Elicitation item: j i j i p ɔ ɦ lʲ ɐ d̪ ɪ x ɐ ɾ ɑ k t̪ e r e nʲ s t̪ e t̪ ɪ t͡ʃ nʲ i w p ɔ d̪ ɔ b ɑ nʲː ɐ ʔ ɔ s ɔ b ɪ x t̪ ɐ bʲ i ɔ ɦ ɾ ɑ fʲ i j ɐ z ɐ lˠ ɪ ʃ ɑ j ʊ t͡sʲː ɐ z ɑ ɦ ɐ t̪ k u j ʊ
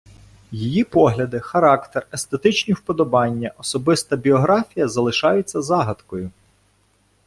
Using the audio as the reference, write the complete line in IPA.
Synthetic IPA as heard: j i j i p ɔ ɦ lʲ ɐ d̪ ɪ x ɐ ɾ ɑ k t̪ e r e s t̪ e t̪ ɪ t͡ʃ nʲ i w p ɔ d̪ ɔ b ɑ nʲː ɐ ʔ ɔ s ɔ b ɪ s t̪ ɐ bʲ i ɔ ɦ ɾ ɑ fʲ i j ɐ z ɐ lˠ ɪ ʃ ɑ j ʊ t͡sʲː ɐ z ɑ ɦ ɐ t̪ k ɔ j ʊ